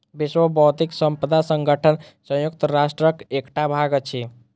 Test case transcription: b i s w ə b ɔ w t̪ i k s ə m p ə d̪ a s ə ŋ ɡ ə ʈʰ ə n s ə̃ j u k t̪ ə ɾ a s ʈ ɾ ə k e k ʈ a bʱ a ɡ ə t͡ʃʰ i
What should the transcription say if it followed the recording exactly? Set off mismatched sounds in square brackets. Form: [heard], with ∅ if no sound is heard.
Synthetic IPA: b i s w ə b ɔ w t̪ i k s ə m p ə d̪ a s ə ŋ ɡ ə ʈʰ ə n s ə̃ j u k t̪ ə ɾ a s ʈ ɾ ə k e k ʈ a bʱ a ɡ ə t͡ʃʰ i